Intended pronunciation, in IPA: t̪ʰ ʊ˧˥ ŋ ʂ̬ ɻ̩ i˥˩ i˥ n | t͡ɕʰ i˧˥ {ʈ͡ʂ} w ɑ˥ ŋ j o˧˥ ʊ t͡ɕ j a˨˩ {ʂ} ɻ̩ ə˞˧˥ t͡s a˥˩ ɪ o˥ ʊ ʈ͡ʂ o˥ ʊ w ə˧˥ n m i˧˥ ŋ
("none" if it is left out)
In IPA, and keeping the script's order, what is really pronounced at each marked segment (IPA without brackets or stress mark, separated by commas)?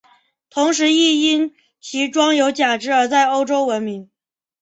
ʈ͡ʂ, ʈ͡ʂ